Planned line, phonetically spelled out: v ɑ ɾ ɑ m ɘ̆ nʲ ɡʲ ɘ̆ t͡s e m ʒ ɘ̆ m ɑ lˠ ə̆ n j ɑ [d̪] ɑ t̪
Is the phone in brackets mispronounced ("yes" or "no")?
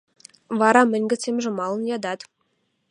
no